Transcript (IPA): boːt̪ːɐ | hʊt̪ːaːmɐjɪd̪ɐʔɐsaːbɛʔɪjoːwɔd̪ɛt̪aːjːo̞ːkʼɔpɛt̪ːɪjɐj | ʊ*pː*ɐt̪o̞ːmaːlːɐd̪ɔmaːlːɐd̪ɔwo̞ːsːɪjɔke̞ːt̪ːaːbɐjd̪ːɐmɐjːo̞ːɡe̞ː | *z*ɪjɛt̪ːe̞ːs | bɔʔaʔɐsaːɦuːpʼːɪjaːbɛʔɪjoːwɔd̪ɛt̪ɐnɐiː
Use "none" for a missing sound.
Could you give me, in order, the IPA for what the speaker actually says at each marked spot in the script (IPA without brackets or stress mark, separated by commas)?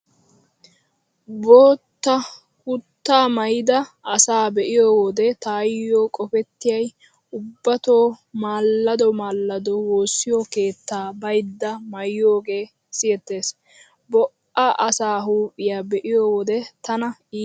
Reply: bː, s